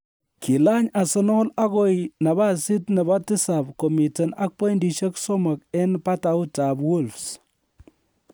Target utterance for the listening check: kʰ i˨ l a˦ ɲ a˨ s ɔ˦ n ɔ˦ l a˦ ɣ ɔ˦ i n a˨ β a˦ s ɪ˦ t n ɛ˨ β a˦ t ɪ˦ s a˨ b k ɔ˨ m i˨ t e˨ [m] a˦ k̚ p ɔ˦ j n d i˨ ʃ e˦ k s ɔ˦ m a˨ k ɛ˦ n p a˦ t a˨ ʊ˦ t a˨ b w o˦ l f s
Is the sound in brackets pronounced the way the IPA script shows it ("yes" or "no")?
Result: no